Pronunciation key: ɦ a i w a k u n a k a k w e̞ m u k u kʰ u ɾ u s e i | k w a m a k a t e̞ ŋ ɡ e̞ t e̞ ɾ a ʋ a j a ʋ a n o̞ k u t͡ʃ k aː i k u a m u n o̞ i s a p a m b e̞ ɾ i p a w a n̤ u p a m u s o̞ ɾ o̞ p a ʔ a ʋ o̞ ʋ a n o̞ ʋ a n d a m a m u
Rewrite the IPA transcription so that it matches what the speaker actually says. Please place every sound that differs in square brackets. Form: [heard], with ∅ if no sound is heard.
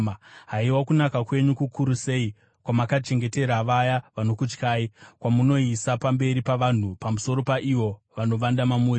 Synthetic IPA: ɦ a i w a k u n a k a k w e̞ [ɲ] u k u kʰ u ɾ u s e i | k w a m a k a [t͡ʃ] e̞ ŋ ɡ e̞ t e̞ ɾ a ʋ a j a ʋ a n o̞ k u t͡ʃ k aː i k [w] a m u n o̞ i s a p a m b e̞ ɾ i p a [ʋ] a n̤ u p a m u s o̞ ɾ o̞ p a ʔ [i] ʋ o̞ ʋ a n o̞ ʋ a n d a m a m u